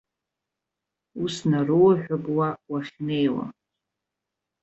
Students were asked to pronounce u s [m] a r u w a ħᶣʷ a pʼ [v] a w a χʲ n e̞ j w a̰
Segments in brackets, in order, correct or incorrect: incorrect, incorrect

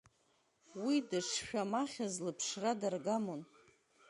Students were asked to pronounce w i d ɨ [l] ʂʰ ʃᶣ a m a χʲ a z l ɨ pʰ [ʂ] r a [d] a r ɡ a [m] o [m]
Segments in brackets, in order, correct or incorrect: incorrect, correct, correct, correct, incorrect

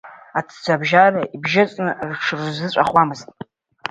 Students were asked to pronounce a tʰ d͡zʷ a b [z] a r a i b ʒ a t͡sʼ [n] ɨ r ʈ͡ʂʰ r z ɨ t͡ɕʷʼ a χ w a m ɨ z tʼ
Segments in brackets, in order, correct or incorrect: incorrect, correct

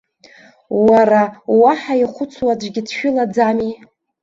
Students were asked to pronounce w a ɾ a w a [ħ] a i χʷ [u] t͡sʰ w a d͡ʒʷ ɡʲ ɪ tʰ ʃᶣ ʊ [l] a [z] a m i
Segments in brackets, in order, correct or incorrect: correct, incorrect, correct, incorrect

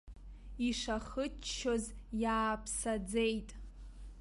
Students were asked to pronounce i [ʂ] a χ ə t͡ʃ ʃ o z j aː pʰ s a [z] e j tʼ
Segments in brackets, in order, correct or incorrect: correct, incorrect

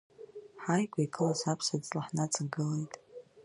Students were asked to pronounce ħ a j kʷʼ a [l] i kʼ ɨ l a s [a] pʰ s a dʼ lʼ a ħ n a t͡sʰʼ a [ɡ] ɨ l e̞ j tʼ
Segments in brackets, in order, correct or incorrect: incorrect, correct, correct

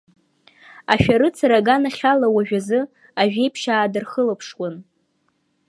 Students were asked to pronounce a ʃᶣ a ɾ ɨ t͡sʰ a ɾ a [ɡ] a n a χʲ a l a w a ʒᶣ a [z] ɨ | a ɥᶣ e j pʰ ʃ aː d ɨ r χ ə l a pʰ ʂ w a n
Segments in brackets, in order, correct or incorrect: correct, correct

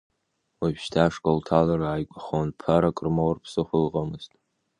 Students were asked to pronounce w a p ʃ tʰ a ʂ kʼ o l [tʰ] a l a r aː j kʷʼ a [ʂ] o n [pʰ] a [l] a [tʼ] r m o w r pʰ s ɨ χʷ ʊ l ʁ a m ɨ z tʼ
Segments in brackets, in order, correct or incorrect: correct, incorrect, correct, incorrect, incorrect

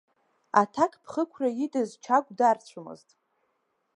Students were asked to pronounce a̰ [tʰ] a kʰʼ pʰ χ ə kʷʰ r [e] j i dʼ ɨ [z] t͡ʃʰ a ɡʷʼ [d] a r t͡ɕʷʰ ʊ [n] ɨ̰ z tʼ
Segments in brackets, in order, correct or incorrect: correct, incorrect, correct, correct, incorrect

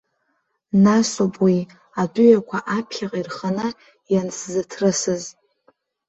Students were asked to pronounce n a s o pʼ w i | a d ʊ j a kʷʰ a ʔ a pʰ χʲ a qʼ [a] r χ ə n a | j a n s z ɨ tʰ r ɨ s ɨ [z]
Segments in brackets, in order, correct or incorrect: incorrect, correct

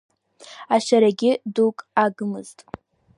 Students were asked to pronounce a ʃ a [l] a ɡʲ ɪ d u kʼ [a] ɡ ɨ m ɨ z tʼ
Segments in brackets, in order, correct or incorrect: incorrect, correct

